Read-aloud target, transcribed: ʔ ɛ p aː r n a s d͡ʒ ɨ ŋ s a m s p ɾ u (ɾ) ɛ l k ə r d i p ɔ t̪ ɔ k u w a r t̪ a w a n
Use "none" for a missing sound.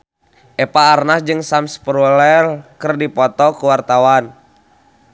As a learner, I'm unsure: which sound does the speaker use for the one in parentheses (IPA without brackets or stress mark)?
l